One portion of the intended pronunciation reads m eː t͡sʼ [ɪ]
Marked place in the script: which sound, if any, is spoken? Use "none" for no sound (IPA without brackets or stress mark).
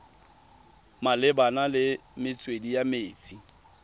i